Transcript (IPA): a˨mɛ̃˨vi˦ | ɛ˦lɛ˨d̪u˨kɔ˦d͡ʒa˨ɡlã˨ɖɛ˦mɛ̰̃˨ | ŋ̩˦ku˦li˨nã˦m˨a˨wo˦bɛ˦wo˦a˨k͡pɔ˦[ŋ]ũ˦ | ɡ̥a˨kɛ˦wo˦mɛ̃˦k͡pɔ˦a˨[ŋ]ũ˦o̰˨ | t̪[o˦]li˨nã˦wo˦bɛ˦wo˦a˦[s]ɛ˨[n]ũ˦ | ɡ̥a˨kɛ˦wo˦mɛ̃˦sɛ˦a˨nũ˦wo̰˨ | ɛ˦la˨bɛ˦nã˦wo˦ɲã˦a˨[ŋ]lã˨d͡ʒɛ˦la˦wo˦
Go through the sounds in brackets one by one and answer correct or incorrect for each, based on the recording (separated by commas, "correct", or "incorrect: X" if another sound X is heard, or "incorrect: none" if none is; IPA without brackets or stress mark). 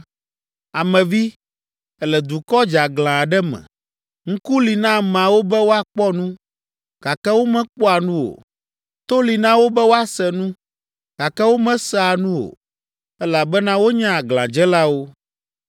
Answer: incorrect: n, incorrect: n, correct, correct, correct, incorrect: ɡ